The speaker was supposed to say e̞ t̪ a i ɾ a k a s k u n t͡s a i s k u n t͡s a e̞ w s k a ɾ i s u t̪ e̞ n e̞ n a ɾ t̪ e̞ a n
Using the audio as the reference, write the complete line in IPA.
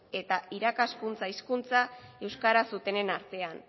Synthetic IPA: e̞ t̪ a i ɾ a k a s k u n t͡s a i s k u n t͡s a e̞ w s k a ɾ a s u t̪ e̞ n e̞ n a ɾ t̪ e̞ a n